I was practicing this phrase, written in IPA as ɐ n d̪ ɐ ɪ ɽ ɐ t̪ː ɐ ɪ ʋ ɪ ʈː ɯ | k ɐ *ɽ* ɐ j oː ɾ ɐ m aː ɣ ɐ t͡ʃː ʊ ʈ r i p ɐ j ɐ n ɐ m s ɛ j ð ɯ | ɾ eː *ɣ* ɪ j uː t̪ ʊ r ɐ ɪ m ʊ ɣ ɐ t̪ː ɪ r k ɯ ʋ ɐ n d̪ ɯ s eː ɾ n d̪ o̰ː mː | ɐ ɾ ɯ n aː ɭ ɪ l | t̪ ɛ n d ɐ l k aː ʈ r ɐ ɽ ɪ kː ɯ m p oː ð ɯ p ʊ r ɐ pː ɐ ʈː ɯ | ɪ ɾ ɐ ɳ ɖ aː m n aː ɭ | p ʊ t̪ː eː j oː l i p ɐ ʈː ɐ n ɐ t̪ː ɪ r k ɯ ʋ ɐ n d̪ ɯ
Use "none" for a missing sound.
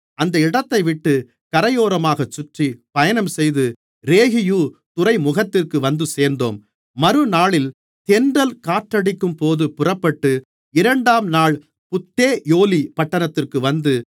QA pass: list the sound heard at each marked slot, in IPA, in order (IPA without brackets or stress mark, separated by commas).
ɾ, ɣ